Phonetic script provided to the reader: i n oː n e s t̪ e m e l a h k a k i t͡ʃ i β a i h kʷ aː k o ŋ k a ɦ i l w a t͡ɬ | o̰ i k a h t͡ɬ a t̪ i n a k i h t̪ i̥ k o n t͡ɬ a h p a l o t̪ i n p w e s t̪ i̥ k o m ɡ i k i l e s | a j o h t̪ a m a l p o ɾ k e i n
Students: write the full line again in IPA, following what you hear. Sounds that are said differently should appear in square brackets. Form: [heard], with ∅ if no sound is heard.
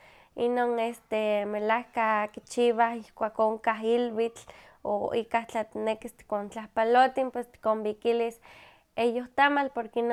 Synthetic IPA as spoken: i n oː n e s t̪ e m e l a h k a k i t͡ʃ i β a i h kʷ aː k o ŋ k a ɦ i l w [i] t͡ɬ | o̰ i k a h t͡ɬ a t̪ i n [e] k i [s] t̪ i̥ k o n t͡ɬ a h p a l o t̪ i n p w e s t̪ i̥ k o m [b] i k i l [i] s | [e] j o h t̪ a m a l p o ɾ k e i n